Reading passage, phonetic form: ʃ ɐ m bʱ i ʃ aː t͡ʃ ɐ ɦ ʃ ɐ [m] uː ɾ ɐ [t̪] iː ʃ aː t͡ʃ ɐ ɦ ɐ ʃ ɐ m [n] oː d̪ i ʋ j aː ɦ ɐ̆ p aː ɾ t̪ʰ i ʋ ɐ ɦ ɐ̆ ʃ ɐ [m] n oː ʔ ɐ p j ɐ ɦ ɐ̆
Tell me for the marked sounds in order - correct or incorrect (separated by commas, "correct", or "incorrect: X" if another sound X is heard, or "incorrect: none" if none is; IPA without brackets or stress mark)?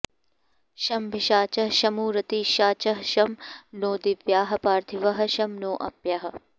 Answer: correct, correct, correct, correct